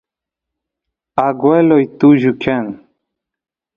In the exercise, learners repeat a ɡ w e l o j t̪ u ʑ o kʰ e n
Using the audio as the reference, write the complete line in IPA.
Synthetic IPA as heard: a ɡ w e l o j t̪ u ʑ u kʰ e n